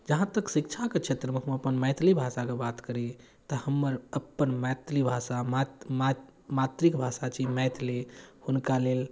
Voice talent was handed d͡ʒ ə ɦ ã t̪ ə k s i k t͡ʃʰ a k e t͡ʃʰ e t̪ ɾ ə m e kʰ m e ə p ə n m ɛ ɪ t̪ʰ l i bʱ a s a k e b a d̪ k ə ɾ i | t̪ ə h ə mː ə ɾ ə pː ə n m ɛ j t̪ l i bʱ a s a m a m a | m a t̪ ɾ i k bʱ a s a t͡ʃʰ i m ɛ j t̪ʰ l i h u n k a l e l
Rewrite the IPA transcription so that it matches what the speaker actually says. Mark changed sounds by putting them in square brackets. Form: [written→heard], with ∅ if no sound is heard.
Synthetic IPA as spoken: d͡ʒ ə ɦ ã t̪ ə k s i k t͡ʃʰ a k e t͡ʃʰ e t̪ ɾ ə m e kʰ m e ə p ə n m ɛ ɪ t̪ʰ l i bʱ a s a k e b a [d̪→t̪] k ə ɾ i | t̪ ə h ə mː ə ɾ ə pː ə n m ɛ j t̪ l i bʱ a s a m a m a | m a t̪ ɾ i k bʱ a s a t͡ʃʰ i m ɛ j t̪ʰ l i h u n k a l e l